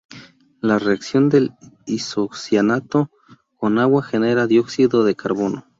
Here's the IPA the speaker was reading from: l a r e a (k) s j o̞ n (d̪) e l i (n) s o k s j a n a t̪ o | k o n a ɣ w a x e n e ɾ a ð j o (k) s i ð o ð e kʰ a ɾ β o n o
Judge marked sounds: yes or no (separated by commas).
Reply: yes, yes, no, yes